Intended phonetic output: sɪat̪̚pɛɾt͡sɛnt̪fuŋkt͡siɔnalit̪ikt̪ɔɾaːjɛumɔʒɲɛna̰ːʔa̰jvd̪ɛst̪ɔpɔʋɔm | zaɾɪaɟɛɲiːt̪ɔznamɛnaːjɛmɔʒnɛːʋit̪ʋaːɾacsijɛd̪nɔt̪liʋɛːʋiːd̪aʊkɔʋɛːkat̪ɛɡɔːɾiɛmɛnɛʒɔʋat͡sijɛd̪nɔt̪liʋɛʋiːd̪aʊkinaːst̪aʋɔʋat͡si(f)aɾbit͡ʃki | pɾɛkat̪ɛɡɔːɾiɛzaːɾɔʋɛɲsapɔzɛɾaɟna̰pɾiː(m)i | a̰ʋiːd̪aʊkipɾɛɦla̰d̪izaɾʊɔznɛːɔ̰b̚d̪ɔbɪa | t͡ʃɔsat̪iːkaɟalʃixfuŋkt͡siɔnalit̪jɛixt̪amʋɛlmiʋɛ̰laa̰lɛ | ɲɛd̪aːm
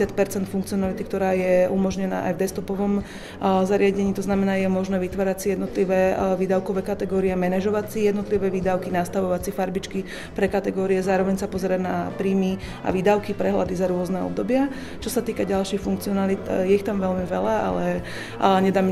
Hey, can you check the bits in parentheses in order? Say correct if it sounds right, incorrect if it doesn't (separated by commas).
correct, correct